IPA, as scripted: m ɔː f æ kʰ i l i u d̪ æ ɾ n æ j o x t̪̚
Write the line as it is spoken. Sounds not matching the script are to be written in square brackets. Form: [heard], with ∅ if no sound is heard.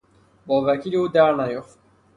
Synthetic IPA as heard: [b] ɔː [v] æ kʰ i l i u d̪ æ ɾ n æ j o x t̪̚